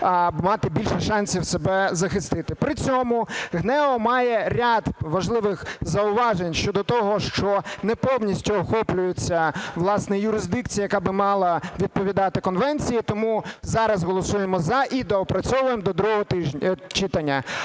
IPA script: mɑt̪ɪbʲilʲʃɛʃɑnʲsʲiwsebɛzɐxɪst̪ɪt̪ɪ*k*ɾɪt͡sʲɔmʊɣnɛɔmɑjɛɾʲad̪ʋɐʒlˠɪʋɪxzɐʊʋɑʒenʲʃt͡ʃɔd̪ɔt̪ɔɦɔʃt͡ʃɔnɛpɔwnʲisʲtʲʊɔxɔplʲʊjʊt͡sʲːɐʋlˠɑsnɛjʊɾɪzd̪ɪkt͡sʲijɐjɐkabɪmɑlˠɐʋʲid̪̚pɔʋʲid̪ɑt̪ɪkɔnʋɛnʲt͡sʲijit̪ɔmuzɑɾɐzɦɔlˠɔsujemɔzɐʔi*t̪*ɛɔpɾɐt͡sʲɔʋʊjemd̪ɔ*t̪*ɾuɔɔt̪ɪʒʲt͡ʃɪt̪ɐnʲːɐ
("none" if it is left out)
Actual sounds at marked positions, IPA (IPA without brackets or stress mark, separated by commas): p, d̪, d̪